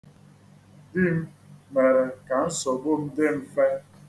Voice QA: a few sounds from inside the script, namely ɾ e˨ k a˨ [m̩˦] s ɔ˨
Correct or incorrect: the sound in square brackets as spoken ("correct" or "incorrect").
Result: incorrect